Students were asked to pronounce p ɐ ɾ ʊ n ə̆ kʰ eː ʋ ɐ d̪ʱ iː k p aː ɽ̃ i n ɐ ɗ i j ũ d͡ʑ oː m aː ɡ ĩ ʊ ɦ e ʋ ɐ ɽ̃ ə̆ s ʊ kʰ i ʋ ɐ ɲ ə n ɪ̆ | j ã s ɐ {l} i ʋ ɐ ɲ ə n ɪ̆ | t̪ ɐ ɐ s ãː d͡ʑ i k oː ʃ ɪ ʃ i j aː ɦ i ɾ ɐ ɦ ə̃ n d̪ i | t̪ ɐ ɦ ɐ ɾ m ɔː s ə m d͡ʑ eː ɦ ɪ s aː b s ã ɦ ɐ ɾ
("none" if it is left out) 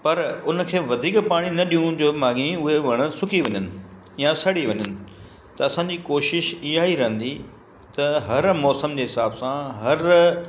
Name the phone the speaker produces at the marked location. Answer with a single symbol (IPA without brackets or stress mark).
ɽ